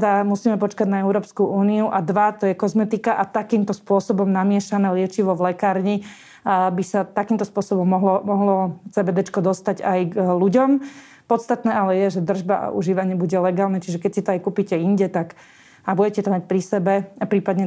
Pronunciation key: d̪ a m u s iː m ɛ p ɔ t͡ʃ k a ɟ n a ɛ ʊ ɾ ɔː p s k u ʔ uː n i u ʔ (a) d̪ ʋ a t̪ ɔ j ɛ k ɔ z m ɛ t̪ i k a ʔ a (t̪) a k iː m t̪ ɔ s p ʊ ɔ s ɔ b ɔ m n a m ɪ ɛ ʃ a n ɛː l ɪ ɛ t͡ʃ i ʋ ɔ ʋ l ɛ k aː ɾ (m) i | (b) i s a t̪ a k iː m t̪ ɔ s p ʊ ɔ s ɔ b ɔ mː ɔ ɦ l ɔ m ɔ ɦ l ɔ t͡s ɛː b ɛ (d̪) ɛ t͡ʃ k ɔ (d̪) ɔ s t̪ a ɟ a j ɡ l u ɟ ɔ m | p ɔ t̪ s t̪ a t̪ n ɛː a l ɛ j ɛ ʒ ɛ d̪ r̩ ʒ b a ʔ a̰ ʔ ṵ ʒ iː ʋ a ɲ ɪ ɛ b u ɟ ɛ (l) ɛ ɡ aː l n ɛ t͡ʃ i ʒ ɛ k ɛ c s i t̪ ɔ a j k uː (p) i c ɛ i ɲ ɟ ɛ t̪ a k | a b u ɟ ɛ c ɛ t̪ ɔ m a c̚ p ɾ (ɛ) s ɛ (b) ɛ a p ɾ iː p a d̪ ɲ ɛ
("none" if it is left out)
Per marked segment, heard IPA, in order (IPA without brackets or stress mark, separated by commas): a, t̪, ɲ, b, d̪, d̪, l, p, i, b